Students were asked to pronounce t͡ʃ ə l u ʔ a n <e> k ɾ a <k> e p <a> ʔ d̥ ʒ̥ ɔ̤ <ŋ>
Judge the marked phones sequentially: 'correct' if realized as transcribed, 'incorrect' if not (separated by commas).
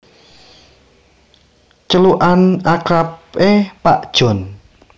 incorrect, incorrect, correct, incorrect